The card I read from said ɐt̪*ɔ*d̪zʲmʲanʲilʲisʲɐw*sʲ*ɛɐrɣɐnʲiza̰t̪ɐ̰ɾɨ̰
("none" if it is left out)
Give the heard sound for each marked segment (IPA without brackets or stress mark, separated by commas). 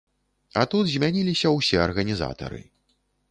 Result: u, sʲ